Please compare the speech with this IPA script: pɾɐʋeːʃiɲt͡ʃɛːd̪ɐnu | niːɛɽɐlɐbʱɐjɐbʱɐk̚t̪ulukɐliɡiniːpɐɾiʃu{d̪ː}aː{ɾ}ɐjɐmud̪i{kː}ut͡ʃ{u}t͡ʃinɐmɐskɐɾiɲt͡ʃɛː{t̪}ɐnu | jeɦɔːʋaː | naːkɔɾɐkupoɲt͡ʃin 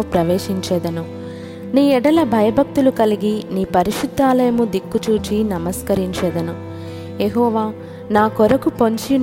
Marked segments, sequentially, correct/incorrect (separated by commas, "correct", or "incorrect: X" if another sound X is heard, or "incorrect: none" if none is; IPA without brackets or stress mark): correct, incorrect: l, correct, incorrect: uː, incorrect: d̪